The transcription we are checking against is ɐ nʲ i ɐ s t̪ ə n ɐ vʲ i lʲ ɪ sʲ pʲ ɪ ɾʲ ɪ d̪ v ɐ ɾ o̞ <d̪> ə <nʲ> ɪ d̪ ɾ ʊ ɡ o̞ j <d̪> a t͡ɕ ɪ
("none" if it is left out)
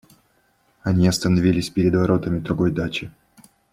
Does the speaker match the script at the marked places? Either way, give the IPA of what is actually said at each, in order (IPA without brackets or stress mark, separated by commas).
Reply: t̪, mʲ, d̪